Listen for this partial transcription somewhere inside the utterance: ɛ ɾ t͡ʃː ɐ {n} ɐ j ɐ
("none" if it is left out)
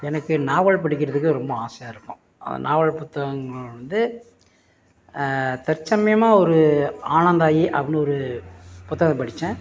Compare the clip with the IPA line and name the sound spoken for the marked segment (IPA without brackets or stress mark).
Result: m